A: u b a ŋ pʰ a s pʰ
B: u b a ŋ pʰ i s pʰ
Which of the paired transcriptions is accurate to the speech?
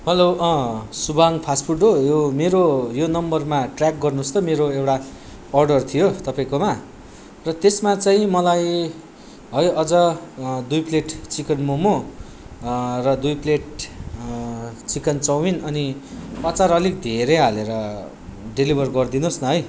A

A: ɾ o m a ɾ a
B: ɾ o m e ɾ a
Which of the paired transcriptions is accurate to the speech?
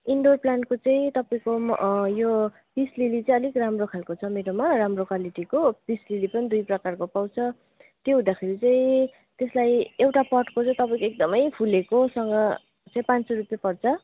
A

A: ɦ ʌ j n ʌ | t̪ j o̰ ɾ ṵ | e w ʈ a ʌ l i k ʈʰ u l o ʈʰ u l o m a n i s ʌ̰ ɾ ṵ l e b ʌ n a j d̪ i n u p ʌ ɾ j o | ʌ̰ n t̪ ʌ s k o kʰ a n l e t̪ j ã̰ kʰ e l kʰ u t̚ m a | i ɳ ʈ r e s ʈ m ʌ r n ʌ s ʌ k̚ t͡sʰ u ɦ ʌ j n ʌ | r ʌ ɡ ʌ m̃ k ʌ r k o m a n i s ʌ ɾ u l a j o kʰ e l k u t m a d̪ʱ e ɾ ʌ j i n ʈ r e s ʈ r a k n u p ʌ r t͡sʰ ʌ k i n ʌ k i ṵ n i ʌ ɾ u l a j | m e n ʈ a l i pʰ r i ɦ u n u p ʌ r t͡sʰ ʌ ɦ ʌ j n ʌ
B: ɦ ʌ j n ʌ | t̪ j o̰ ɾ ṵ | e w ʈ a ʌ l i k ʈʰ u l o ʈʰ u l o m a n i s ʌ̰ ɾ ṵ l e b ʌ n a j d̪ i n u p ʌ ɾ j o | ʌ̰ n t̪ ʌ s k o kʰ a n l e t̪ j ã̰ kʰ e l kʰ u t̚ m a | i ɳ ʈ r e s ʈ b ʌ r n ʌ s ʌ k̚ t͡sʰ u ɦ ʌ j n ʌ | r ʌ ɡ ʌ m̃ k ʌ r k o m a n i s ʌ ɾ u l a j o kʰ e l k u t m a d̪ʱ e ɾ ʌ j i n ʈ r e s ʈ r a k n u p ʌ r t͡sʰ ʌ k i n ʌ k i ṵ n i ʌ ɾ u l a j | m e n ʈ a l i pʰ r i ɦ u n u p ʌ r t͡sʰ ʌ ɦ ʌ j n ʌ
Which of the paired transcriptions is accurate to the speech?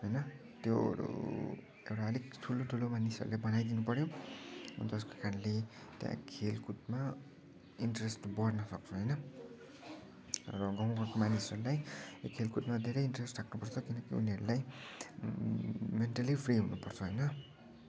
B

